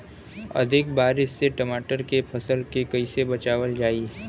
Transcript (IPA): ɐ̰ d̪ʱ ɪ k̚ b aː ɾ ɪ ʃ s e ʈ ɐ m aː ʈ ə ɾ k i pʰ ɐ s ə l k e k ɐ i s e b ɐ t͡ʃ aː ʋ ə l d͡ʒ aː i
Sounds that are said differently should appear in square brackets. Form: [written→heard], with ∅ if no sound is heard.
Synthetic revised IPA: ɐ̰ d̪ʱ ɪ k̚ b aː ɾ ɪ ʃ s e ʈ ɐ m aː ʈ ə ɾ k [i→e] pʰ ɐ s ə l k e k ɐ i s e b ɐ t͡ʃ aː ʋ ə l d͡ʒ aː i